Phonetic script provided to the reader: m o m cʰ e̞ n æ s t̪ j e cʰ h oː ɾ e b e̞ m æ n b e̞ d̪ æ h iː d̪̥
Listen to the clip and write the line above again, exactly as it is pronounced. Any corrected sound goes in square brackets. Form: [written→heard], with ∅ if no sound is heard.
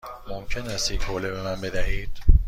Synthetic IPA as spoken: m o m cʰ e̞ n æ s t̪ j e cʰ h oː [ɾ→l] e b e̞ m æ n b e̞ d̪ æ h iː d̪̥